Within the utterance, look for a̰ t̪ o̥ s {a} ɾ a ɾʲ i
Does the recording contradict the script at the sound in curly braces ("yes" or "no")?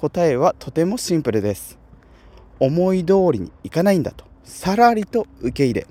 no